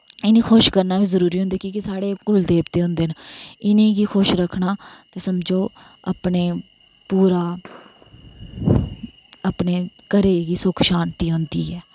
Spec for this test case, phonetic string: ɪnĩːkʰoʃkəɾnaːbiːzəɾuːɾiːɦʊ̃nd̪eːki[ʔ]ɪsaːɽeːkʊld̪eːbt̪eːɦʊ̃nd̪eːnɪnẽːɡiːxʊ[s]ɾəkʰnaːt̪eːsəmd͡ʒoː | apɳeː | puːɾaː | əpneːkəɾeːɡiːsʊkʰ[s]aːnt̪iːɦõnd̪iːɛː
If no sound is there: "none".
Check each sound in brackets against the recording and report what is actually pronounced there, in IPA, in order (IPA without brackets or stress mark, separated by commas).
k, ʃ, ʃ